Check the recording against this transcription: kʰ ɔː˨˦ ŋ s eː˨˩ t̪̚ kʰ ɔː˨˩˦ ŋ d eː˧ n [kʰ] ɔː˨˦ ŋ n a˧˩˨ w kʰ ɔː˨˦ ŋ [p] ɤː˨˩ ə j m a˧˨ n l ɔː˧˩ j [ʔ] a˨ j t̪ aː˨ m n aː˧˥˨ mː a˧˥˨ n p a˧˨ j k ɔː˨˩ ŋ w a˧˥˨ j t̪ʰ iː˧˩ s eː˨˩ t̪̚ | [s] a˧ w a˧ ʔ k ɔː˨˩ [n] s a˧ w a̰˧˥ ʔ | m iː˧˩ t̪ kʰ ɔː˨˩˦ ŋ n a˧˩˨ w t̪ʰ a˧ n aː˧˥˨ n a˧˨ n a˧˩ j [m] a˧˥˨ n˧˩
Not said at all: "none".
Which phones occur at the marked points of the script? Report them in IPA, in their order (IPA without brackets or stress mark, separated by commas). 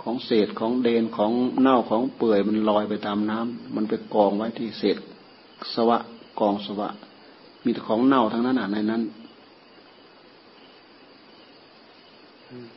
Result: kʰ, p, p, s, ŋ, n